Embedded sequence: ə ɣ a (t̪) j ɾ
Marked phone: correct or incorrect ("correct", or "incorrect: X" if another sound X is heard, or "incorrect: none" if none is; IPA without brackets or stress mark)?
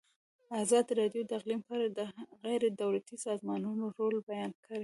incorrect: none